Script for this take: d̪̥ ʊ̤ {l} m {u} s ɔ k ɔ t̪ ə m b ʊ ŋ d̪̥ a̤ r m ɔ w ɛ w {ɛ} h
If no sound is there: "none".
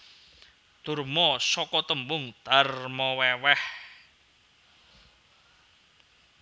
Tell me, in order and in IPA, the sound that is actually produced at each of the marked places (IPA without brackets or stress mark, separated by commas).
r, ɔ, ɛ